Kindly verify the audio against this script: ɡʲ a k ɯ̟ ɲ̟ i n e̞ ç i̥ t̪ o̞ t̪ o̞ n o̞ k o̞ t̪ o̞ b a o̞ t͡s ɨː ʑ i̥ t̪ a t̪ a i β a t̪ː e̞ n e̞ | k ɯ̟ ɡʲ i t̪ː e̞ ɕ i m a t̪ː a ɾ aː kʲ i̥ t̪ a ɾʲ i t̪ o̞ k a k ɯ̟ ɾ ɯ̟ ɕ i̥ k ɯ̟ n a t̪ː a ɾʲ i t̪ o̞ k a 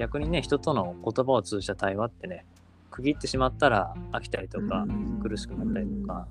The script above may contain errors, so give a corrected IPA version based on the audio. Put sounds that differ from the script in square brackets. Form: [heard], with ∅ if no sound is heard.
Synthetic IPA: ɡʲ a k ɯ̟ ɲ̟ i n e̞ ç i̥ t̪ o̞ t̪ o̞ n o̞ k o̞ t̪ o̞ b a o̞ t͡s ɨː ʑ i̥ t̪ a t̪ a i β a t̪ː e̞ n e̞ | k ɯ̟ ɡʲ i t̪ː e̞ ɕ i m a t̪ː a ɾ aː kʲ i̥ t̪ a ɾʲ i t̪ o̞ k a k ɯ̟ ɾ ɯ̟ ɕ i̥ k ɯ̟ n a t̪ː a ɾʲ i t̪ o̞ k a